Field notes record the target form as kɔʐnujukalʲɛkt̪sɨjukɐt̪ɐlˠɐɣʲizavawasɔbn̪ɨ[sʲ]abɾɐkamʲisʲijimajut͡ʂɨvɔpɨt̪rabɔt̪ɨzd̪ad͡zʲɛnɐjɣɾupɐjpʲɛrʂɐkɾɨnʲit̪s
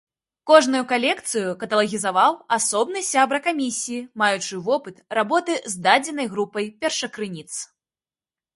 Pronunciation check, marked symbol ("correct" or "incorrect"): correct